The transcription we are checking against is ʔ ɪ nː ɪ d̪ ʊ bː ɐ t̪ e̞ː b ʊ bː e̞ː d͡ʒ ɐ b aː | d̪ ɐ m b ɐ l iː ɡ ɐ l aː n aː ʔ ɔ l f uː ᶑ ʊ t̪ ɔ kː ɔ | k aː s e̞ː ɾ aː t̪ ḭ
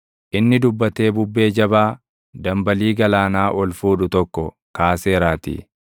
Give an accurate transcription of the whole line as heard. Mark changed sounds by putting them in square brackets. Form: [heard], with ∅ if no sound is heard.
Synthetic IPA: ʔ ɪ nː ɪ d̪ ʊ bː ɐ t̪ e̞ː b ʊ bː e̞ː d͡ʒ ɐ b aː | d̪ ɐ m b ɐ l iː ɡ ɐ l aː n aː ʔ ɔ l f uː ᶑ ʊ t̪ ɔ kː ɔ | k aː s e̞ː ɾ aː t̪ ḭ